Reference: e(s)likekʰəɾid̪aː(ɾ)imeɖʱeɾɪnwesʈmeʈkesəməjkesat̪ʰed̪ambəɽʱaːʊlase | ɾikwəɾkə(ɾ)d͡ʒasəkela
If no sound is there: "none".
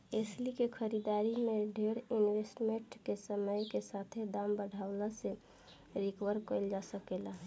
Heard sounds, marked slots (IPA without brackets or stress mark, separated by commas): s, ɾ, l